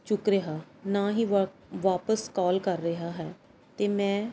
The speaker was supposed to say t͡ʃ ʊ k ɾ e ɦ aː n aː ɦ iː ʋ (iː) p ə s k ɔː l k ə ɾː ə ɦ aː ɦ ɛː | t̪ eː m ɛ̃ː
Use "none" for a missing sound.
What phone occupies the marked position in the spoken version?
aː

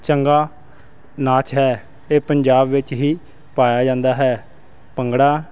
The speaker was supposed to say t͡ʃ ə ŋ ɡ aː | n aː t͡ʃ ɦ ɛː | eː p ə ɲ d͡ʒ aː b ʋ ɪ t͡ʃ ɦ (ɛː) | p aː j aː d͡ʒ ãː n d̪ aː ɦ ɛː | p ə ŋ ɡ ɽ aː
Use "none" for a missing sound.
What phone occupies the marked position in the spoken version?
iː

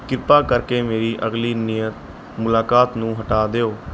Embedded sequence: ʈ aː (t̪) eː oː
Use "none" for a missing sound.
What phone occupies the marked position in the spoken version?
d̪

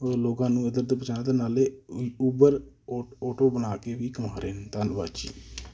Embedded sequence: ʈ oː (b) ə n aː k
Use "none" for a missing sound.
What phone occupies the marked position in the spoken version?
b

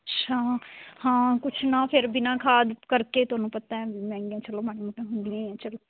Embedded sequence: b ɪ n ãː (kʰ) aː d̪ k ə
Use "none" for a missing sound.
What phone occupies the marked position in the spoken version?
kʰ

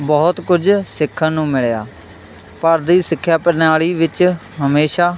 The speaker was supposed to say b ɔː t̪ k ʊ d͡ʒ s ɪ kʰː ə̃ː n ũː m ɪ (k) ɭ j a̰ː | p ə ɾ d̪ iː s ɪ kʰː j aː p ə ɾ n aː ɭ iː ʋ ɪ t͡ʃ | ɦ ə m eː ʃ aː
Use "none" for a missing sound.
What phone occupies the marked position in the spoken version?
none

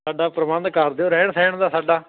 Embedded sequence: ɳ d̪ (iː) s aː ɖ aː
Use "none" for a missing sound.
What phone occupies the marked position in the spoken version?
aː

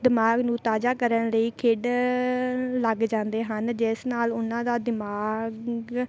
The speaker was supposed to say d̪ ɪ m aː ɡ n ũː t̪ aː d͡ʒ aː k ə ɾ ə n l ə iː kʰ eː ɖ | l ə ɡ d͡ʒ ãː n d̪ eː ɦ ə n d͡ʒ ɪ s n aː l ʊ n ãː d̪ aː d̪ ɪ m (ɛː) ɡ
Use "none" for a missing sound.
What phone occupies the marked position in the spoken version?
aː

